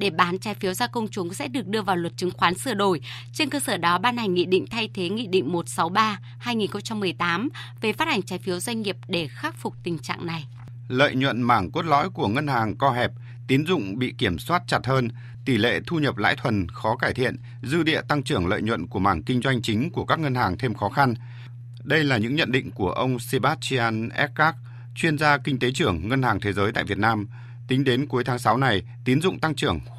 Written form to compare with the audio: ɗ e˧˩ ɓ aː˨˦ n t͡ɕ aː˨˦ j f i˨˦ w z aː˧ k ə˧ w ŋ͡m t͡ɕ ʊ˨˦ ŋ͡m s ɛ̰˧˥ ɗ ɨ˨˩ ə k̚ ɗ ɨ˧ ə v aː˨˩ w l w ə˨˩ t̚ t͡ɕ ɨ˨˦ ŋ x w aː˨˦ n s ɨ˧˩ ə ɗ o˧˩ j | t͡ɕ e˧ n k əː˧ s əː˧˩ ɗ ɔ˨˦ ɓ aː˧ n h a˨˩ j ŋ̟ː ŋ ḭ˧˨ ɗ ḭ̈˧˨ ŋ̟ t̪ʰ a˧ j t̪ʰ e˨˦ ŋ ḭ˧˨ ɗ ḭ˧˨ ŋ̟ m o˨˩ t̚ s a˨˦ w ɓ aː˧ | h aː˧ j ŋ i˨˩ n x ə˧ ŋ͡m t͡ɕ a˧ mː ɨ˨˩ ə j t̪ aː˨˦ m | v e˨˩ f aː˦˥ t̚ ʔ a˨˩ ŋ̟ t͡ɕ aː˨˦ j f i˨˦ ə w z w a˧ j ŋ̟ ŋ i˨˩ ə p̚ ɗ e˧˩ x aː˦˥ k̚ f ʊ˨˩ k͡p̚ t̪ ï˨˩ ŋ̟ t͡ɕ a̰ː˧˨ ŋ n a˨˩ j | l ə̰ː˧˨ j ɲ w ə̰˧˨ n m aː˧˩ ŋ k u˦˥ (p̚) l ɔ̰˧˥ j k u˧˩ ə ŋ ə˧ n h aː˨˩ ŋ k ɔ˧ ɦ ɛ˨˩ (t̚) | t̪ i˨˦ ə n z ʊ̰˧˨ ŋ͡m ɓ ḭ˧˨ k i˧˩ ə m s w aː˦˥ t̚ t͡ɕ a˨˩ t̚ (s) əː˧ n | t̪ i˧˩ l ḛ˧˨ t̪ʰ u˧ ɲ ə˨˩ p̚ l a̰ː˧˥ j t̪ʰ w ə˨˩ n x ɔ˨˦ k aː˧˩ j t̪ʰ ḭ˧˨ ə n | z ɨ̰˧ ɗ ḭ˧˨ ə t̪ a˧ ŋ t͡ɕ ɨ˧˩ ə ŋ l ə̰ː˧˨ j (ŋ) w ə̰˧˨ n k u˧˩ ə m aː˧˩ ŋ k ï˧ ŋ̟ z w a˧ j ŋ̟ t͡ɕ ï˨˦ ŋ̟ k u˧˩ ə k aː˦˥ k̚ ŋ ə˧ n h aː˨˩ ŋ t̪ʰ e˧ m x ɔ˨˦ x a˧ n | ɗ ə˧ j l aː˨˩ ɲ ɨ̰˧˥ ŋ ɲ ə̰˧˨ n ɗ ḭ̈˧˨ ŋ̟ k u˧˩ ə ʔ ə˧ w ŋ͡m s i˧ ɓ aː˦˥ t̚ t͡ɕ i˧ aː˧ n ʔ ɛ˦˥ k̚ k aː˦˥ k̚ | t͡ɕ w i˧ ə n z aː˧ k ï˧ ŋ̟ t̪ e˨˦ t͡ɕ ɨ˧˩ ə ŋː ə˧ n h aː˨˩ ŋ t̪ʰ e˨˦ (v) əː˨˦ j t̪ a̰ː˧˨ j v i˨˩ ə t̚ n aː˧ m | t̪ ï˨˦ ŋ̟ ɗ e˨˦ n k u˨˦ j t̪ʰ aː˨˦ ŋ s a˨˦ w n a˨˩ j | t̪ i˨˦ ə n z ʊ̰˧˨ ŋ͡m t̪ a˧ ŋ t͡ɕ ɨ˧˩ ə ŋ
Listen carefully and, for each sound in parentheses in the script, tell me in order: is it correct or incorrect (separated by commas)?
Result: incorrect, incorrect, incorrect, incorrect, incorrect